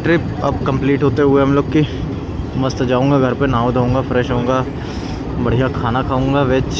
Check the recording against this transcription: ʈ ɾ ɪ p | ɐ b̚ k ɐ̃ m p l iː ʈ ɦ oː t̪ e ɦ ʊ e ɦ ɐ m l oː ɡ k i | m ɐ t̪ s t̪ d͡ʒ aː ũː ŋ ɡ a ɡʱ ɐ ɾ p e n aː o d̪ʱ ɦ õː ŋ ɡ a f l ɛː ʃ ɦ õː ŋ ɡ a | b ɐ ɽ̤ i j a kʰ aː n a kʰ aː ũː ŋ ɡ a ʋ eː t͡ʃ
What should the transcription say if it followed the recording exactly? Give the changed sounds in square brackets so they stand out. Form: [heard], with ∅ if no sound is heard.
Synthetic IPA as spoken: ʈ ɾ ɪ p | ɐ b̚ k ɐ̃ m p l iː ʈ ɦ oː t̪ e ɦ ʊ e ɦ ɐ m l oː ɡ k i | m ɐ [∅] s t̪ d͡ʒ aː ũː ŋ ɡ a ɡʱ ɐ ɾ p e n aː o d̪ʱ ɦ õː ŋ ɡ a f [ɾ] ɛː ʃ ɦ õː ŋ ɡ a | b ɐ ɽ̤ i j a kʰ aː n a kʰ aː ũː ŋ ɡ a ʋ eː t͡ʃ